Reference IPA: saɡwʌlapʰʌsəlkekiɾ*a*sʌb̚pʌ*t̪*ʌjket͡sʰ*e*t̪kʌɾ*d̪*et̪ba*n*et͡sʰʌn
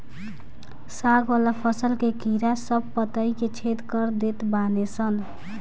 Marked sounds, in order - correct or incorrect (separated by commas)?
correct, correct, correct, correct, correct